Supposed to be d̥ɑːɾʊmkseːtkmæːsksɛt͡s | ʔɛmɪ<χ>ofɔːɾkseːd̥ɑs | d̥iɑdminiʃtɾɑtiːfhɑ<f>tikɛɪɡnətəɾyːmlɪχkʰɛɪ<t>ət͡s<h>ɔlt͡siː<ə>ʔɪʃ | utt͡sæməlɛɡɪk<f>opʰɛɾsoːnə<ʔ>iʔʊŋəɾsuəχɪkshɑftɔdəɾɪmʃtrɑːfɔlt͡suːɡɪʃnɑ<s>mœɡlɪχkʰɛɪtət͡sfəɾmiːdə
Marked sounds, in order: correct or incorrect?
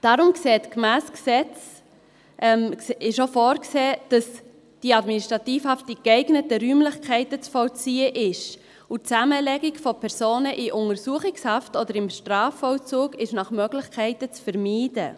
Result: incorrect: ʃ, correct, correct, incorrect: f, correct, correct, correct, incorrect: χ

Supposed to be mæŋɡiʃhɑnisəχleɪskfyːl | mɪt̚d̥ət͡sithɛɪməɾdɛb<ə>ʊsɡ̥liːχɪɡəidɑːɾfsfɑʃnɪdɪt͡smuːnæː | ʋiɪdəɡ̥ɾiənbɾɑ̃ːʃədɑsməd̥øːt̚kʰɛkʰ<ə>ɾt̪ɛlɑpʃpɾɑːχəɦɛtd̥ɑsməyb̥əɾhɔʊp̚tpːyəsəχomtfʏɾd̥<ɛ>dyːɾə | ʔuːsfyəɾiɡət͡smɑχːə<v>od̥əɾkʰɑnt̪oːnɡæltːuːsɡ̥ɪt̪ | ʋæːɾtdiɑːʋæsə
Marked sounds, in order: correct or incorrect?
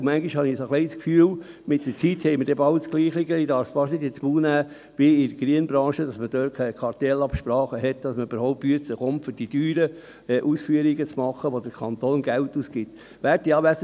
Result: incorrect: ɑ, incorrect: ɑ, incorrect: i, incorrect: ʋ

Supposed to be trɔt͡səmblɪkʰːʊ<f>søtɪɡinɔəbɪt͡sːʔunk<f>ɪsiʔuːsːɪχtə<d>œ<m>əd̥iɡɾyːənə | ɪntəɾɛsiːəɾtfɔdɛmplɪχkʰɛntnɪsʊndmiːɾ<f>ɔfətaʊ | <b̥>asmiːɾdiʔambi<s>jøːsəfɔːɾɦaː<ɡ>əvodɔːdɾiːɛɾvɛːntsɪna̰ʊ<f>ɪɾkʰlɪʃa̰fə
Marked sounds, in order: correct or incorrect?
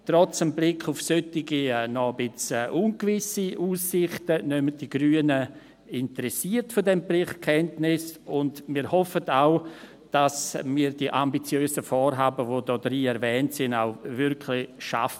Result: correct, incorrect: v, incorrect: n, correct, incorrect: h, incorrect: d̥, incorrect: t͡s, incorrect: b, incorrect: v

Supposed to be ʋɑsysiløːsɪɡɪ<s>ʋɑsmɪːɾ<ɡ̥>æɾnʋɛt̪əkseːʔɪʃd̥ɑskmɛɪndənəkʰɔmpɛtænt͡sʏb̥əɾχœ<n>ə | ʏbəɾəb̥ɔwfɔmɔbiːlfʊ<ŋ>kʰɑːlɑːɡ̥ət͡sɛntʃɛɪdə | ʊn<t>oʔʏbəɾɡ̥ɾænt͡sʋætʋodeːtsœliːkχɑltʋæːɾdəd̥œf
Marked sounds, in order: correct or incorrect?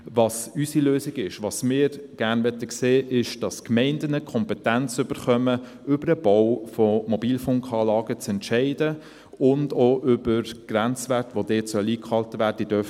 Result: incorrect: ʃ, correct, incorrect: m, correct, incorrect: d

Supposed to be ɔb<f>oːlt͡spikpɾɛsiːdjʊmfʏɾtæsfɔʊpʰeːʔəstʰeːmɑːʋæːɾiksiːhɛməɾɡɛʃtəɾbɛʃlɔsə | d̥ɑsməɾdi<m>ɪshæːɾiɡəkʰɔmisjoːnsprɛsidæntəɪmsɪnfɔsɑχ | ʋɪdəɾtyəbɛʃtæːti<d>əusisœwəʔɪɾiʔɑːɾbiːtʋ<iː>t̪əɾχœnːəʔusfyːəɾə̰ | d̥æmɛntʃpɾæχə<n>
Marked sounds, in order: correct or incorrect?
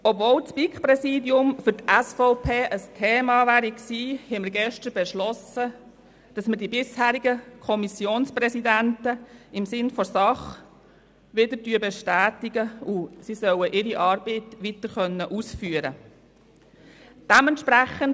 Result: incorrect: v, incorrect: b, incorrect: ɡ, incorrect: i, correct

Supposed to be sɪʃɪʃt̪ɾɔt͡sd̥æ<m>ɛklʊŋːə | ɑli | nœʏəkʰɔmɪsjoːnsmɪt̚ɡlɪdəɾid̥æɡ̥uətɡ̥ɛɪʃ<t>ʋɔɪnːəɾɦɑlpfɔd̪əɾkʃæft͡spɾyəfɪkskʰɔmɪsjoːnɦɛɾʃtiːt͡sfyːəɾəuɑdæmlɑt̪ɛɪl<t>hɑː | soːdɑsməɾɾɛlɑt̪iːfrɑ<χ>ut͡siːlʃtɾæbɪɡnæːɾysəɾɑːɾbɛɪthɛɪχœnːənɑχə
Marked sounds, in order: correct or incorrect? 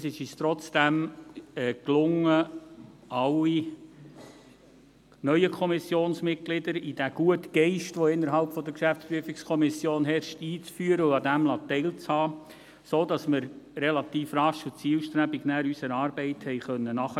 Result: correct, correct, incorrect: t͡s, incorrect: ʃ

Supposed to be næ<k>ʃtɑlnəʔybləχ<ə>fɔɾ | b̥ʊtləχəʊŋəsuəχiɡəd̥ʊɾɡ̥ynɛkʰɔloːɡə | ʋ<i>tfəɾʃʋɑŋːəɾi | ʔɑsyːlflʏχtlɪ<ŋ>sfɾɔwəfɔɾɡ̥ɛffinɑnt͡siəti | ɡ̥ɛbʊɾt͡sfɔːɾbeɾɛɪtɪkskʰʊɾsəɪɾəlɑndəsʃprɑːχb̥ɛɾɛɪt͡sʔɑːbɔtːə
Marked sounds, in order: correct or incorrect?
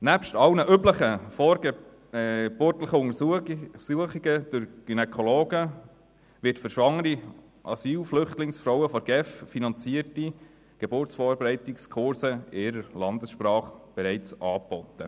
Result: incorrect: p, correct, incorrect: ɪ, correct

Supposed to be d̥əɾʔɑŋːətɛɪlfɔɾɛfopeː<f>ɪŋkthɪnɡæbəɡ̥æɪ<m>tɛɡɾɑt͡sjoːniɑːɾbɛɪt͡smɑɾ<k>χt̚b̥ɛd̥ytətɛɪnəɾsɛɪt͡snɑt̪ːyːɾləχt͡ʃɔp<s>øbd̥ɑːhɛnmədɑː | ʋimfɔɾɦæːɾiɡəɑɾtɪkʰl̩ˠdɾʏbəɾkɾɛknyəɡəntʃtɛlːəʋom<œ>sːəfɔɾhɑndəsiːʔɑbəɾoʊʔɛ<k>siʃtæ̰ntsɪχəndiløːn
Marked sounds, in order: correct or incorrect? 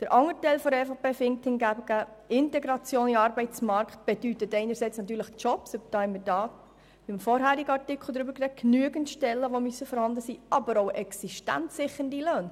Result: correct, incorrect: n, correct, correct, incorrect: y, correct

